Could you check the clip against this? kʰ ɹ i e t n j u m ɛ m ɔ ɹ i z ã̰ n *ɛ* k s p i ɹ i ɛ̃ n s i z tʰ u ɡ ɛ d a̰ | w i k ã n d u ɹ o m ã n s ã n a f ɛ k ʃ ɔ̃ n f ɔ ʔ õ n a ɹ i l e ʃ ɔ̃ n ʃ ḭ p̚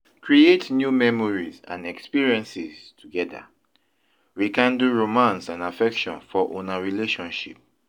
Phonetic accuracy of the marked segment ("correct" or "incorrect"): correct